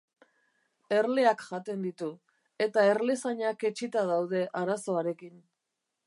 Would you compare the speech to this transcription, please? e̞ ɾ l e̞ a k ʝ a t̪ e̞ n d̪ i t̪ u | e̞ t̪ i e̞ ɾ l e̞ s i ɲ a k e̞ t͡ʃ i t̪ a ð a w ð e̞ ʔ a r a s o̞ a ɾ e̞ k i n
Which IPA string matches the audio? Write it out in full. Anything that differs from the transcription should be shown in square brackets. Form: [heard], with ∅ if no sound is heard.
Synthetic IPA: e̞ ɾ l e̞ a k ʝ a t̪ e̞ n d̪ i t̪ u | e̞ t̪ [a] e̞ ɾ l e̞ s [a] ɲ a k e̞ t͡ʃ i t̪ a ð a w ð e̞ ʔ a [ɾ] a s o̞ a ɾ e̞ k i n